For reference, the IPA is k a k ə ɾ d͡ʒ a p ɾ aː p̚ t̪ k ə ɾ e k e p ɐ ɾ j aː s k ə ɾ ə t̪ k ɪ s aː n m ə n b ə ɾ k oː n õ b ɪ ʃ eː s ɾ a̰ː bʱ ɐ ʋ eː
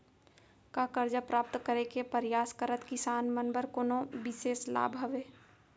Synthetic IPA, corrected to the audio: k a k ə ɾ d͡ʒ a p ɾ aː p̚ t̪ k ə ɾ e k e p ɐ ɾ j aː s k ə ɾ ə t̪ k ɪ s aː n m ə n b ə ɾ k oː n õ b ɪ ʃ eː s l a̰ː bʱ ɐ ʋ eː